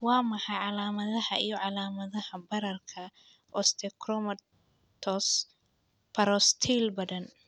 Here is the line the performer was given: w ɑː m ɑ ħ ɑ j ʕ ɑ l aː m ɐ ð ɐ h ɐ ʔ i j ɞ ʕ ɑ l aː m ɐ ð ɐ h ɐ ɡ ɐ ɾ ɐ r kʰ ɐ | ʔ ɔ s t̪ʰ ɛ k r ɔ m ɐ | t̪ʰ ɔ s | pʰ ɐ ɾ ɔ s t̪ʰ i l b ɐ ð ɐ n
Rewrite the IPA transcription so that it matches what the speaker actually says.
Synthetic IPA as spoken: w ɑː m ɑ ħ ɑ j ʕ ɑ l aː m ɐ ð ɐ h ɐ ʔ i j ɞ ʕ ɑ l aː m ɐ ð ɐ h ɐ b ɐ ɾ ɐ r kʰ ɐ | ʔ ɔ s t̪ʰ ɛ k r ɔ m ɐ | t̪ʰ ɔ s | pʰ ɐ ɾ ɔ s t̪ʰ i l b ɐ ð ɐ n